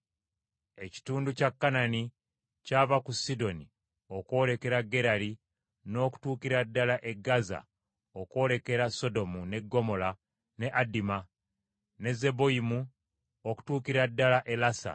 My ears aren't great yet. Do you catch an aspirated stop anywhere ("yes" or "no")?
no